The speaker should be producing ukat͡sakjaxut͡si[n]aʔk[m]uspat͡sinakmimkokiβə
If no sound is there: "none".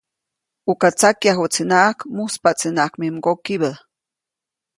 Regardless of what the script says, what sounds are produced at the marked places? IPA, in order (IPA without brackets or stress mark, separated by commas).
n, m